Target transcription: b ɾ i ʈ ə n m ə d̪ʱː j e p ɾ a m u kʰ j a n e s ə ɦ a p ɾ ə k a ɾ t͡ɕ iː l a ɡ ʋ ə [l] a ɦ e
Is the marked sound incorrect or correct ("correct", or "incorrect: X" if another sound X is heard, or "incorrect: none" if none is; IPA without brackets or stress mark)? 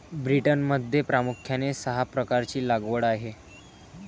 incorrect: ɽ